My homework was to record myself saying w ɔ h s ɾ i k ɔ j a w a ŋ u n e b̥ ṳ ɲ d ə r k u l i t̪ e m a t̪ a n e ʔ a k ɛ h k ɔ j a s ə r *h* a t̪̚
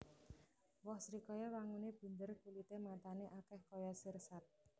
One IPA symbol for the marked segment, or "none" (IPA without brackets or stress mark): s